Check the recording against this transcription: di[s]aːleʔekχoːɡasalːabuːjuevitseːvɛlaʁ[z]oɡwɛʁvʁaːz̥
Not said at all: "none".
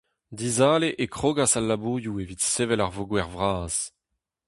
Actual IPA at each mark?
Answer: z, v

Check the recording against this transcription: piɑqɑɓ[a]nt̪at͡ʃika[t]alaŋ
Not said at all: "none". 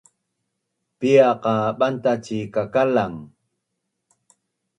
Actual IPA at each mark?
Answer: a, k

